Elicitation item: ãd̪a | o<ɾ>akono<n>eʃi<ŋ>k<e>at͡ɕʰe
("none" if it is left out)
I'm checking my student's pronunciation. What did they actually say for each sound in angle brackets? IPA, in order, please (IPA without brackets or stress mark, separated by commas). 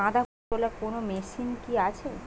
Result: l, m, n, i